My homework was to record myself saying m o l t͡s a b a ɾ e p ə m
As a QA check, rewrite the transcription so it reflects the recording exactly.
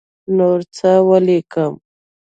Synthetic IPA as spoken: n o ɾ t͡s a w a l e k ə m

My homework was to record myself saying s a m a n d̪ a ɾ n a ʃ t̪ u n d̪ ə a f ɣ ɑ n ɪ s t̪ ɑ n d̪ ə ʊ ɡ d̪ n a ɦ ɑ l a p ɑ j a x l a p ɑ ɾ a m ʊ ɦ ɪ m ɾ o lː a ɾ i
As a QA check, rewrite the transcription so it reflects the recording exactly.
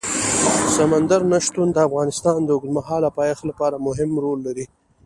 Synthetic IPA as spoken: s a m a n d̪ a ɾ n a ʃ t̪ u n d̪ ə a f ɣ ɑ n ɪ s t̪ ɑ n d̪ ə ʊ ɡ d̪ m a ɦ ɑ l a p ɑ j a x l a p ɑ ɾ a m ʊ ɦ ɪ m ɾ o lː a ɾ i

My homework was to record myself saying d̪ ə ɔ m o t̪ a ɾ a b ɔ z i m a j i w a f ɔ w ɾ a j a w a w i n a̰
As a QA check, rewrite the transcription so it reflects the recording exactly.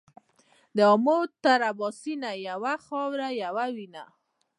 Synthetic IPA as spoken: d̪ ə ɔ m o t̪ a ɾ a b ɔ s i n a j a w a x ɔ w ɾ a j a w a w i n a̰

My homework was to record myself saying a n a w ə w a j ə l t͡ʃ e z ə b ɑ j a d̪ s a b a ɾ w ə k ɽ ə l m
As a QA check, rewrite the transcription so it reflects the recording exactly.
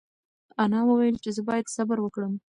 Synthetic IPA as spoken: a n ɑ w ə w a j ə l t͡ʃ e z ə b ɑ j a d̪ s a b a ɾ w ə k ɽ ə m

